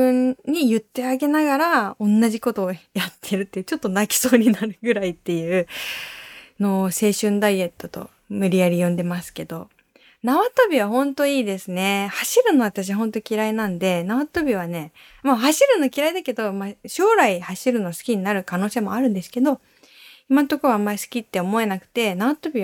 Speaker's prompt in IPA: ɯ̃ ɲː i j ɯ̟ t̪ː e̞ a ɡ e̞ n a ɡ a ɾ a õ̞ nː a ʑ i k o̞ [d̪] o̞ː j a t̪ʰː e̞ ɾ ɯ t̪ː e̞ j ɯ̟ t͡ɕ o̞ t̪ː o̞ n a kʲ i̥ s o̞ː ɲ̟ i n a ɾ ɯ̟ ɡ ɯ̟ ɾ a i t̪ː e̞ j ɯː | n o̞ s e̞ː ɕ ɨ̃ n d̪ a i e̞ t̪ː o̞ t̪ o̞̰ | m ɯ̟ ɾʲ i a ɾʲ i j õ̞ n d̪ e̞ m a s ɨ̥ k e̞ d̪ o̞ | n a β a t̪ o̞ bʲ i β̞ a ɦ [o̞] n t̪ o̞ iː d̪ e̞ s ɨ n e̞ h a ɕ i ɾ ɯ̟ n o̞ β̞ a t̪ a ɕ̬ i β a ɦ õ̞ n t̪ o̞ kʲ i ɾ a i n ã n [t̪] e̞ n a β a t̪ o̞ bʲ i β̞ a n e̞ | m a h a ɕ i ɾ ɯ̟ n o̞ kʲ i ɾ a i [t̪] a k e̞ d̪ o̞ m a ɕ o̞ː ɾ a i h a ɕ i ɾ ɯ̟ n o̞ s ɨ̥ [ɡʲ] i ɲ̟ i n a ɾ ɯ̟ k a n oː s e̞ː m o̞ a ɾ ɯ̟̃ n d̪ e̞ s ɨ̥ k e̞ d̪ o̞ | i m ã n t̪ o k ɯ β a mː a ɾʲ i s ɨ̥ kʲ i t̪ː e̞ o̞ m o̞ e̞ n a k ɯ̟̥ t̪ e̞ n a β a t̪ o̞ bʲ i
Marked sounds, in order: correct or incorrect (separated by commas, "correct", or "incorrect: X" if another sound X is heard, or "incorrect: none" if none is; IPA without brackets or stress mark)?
incorrect: t̪, incorrect: õ̞, incorrect: d̪, incorrect: d̪, incorrect: kʲ